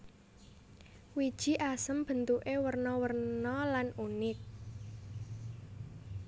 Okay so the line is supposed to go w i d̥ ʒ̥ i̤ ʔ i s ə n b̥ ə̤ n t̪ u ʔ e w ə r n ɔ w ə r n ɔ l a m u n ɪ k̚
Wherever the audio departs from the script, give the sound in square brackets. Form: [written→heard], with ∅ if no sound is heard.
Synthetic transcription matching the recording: w i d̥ ʒ̥ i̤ ʔ [i→a] s ə [n→m] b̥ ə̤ n t̪ u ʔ e w ə r n ɔ w ə r n ɔ l a [m→n] u n ɪ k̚